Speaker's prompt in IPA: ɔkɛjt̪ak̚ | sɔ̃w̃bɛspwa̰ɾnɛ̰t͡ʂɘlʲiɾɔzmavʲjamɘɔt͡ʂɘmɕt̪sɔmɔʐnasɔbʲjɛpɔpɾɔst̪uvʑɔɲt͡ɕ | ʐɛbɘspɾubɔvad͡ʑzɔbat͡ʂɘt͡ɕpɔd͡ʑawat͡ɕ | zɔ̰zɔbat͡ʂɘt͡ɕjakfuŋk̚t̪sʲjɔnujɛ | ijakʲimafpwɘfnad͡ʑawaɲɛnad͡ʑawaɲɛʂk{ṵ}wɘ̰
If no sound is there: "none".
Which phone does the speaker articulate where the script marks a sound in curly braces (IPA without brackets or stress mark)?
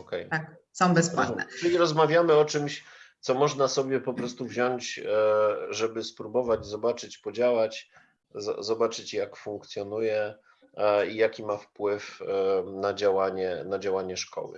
ɔ̰